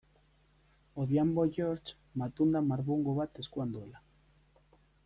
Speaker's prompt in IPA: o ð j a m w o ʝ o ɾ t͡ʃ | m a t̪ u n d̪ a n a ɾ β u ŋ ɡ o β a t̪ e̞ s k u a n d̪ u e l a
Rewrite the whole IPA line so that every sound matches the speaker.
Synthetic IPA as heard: o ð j a m b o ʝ o ɾ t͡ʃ | m a t̪ u n d̪ a m a ɾ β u ŋ ɡ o β a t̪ e̞ s k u a n d̪ u e l a